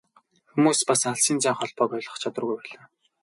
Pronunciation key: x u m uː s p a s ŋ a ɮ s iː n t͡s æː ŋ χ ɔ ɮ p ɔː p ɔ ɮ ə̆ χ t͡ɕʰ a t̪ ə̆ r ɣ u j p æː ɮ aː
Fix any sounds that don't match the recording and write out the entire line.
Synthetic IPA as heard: x u m uː s p a s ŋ a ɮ s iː n t͡s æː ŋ χ ɔ ɮ p ɔː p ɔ ɮ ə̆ χ t͡ɕʰ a t̪ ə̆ r ɣ u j p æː ɮ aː